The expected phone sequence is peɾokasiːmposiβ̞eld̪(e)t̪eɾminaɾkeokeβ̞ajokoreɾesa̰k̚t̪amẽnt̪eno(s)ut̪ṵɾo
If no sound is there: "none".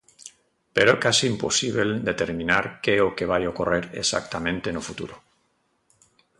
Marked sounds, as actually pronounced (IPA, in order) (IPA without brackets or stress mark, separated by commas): e, f